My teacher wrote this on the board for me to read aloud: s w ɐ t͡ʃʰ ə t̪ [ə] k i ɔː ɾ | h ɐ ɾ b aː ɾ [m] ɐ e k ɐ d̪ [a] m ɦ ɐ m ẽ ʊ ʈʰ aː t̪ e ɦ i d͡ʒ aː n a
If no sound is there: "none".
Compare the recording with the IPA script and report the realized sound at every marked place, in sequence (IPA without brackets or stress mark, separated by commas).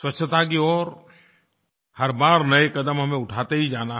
a, n, ə